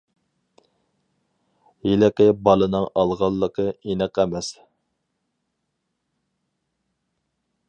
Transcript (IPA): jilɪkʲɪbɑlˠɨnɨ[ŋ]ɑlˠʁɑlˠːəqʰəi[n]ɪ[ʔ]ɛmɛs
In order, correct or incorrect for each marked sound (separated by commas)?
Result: correct, correct, incorrect